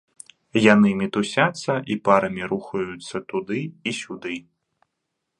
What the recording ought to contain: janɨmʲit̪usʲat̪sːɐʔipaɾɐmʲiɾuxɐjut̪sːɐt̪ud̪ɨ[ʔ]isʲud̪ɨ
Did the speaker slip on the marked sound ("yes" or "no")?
yes